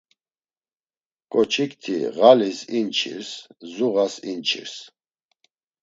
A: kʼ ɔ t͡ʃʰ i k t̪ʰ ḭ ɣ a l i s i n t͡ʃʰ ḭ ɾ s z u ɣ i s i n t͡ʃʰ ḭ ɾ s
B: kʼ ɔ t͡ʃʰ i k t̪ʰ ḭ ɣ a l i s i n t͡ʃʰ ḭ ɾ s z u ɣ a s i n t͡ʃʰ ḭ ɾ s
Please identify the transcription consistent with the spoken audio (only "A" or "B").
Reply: B